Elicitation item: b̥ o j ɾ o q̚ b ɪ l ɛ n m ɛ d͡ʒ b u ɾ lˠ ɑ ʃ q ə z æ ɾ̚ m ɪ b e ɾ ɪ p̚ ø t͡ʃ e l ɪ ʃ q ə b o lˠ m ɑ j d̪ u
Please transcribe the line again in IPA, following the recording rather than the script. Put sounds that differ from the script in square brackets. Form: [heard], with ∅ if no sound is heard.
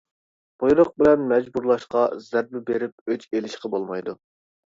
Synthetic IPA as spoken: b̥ o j ɾ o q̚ b ɪ l ɛ n m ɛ d͡ʒ b u ɾ lˠ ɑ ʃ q [ɑ] z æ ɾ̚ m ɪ b e ɾ ɪ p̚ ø t͡ʃ e l ɪ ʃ q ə b o lˠ m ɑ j d̪ u